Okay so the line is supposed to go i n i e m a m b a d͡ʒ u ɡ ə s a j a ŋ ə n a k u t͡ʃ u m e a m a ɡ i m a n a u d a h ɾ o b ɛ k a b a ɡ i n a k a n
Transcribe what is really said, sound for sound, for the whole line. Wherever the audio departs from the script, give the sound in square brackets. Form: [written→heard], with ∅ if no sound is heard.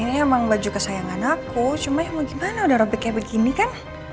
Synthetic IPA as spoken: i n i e m a [m→ŋ] b a d͡ʒ u [ɡ→k] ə s a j a ŋ [ə→a] n a k u t͡ʃ u m [e→a] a m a ɡ i m a n a u d a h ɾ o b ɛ k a b [a→ə] ɡ i n [a→i] k a n